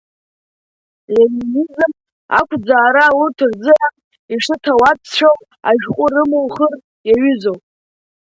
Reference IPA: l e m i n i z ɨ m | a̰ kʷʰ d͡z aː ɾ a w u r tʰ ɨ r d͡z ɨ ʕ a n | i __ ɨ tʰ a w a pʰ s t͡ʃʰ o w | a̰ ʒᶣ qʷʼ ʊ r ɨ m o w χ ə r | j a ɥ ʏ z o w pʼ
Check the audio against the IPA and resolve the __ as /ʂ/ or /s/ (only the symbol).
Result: ʂ